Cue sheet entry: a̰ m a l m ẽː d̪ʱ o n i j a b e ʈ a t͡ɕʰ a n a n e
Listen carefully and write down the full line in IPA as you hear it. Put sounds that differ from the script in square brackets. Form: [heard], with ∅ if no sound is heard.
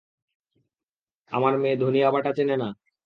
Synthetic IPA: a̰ m a [ɾ] m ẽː d̪ʱ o n i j a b [a] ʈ a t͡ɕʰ [e] n [e] n [a]